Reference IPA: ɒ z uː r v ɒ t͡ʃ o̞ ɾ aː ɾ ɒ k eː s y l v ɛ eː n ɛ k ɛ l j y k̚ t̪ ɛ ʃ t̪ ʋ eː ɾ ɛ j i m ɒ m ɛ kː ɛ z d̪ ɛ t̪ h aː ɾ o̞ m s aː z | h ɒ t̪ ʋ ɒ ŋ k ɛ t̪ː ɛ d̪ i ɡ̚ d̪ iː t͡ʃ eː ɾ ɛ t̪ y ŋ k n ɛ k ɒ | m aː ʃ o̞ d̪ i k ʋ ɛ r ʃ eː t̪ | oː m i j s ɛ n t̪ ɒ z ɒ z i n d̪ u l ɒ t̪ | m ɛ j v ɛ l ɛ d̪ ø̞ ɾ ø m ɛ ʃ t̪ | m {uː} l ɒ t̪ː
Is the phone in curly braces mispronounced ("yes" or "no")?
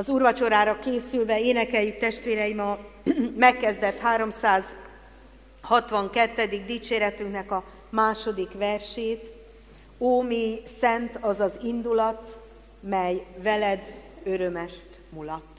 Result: yes